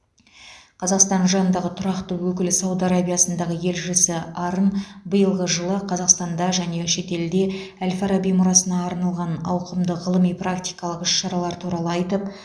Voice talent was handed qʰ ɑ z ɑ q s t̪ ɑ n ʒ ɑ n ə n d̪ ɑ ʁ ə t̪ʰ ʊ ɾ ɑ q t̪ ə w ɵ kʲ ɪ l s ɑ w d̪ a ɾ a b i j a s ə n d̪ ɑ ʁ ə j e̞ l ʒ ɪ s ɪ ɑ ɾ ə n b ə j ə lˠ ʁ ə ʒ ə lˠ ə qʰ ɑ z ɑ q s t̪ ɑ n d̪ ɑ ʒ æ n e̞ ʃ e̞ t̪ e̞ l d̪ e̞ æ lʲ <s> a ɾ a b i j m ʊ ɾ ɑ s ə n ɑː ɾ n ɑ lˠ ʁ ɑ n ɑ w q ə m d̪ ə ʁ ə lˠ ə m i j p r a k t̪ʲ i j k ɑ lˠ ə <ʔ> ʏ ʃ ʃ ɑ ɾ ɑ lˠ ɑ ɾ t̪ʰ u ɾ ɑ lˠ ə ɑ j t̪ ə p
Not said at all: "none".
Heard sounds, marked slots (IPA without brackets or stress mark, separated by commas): f, q